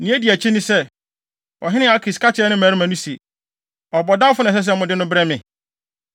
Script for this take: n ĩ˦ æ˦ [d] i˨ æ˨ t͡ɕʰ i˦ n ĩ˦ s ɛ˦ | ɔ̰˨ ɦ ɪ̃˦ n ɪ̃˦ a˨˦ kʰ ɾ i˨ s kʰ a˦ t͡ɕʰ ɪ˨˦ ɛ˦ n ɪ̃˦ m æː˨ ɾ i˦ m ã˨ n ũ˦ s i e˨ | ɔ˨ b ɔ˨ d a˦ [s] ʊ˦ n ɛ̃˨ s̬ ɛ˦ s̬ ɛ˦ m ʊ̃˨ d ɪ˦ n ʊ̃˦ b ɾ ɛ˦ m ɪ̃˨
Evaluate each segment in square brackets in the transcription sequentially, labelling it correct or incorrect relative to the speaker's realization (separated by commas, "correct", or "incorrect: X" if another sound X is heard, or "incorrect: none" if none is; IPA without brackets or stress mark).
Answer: correct, incorrect: f